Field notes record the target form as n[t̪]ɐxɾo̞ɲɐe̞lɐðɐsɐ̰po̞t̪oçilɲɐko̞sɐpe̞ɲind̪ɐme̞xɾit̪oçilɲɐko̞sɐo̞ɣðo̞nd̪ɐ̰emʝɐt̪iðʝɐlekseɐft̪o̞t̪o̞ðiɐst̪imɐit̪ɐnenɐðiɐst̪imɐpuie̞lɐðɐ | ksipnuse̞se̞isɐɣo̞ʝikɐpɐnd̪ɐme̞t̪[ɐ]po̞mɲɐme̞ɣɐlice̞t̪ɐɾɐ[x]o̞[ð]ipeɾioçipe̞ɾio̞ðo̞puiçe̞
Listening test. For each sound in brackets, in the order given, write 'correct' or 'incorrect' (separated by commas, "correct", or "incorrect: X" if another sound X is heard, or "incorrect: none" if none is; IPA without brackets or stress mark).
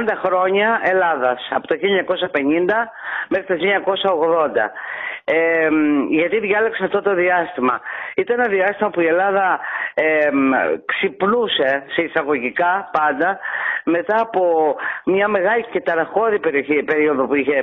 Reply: incorrect: d̪, incorrect: ɐː, correct, correct